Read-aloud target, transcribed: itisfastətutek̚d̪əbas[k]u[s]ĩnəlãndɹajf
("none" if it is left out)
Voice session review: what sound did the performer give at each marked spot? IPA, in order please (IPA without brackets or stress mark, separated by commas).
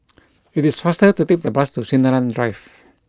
t, s